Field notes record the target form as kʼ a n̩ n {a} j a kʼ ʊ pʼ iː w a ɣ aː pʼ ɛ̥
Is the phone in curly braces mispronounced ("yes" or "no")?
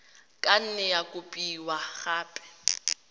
yes